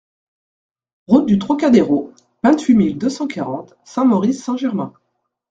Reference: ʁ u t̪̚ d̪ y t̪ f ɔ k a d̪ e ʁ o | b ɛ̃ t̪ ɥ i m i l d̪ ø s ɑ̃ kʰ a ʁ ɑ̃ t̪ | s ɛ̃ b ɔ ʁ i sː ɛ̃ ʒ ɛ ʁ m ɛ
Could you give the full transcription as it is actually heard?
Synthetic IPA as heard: ʁ u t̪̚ d̪ y t̪ χ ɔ k a d̪ e ʁ o | v ɛ̃ t̪ ɥ i m i l d̪ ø s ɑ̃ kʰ a ʁ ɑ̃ t̪ | s ɛ̃ m ɔ ʁ i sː ɛ̃ ʒ ɛ ʁ m ɛ̃